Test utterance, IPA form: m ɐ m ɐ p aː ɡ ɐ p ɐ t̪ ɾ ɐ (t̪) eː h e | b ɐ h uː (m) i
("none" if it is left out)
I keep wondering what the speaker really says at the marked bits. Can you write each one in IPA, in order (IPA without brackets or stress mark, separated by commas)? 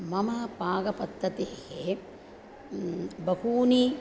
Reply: t̪, n